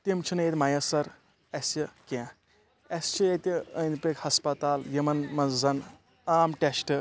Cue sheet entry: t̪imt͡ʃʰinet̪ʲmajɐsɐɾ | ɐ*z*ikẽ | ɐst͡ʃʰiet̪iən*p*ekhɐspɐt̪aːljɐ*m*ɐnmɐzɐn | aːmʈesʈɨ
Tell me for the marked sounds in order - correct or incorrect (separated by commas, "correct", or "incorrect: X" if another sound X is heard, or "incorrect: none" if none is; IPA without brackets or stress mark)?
incorrect: s, correct, correct